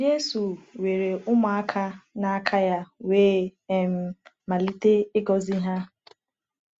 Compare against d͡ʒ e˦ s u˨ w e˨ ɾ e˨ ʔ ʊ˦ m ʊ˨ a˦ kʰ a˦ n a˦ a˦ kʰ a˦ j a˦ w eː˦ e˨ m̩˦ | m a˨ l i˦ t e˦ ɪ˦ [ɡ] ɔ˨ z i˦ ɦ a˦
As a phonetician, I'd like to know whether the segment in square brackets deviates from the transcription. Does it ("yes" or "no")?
no